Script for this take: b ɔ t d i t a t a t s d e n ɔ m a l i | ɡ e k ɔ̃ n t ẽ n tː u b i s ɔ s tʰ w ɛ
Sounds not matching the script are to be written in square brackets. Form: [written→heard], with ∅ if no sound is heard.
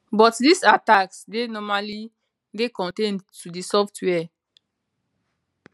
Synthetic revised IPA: b ɔ t d i [t→s] a t a [t→k] s d e n ɔ m a l i | ɡ e k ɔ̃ n t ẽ n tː u [b→d] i s ɔ [s→f] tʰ w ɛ